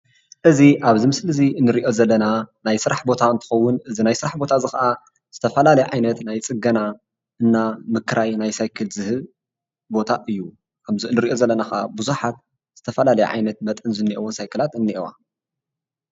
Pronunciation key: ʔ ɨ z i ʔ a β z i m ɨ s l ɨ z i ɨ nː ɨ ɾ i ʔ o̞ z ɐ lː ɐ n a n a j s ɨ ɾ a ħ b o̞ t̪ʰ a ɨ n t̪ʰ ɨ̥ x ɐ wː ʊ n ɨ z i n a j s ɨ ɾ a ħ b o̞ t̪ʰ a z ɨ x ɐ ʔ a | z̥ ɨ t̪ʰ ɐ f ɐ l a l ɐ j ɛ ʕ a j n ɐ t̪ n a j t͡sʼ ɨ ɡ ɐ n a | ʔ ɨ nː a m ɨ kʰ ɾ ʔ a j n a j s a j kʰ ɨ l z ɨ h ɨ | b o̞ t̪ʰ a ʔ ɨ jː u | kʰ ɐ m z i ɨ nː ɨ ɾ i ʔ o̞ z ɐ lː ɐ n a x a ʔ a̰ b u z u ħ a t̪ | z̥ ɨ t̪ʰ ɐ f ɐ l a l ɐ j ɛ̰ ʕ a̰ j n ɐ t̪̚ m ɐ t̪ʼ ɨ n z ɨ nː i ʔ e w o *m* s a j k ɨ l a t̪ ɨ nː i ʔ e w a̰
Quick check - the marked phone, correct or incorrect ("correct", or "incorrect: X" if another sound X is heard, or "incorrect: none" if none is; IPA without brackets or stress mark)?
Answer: incorrect: n